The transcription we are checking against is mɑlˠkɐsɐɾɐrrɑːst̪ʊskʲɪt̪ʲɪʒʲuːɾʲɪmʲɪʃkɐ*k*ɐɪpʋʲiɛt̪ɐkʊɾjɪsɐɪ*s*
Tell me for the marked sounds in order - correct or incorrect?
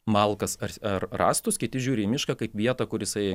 correct, incorrect: none

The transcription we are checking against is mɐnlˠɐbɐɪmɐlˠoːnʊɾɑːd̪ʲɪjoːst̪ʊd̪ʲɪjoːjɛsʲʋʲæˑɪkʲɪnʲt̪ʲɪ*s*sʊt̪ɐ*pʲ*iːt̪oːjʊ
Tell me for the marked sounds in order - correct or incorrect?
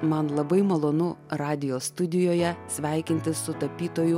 correct, correct

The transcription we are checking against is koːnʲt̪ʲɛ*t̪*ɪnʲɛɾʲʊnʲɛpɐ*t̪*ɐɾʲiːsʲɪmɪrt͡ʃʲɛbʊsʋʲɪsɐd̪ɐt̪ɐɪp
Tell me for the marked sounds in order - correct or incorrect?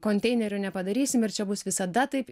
incorrect: none, incorrect: d̪

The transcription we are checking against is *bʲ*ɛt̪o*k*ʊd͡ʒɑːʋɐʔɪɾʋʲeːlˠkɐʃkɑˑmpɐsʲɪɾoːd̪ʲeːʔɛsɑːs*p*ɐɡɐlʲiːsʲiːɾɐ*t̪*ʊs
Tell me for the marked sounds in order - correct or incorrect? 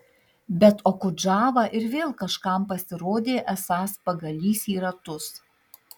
correct, correct, correct, correct

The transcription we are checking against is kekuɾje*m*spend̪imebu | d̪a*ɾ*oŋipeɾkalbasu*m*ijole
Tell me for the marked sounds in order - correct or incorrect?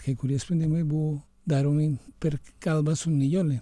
incorrect: none, correct, incorrect: n

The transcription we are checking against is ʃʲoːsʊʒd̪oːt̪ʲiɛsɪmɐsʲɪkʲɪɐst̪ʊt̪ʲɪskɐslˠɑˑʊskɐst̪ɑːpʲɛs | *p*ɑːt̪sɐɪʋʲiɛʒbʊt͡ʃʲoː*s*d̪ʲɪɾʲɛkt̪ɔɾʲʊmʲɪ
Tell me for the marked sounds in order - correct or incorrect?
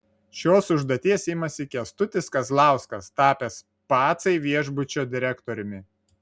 correct, incorrect: none

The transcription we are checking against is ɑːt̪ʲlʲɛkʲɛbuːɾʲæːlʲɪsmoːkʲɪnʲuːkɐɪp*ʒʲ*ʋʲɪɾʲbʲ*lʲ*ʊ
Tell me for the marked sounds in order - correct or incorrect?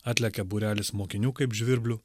correct, correct

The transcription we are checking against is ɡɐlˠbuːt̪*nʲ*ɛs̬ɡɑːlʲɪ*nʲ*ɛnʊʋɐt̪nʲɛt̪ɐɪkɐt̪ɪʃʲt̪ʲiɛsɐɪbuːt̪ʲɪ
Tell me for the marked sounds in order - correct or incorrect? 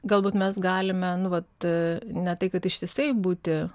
incorrect: mʲ, incorrect: mʲ

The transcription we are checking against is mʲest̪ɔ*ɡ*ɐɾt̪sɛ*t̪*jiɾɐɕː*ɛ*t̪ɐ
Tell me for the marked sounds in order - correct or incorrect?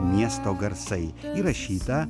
correct, incorrect: none, incorrect: i

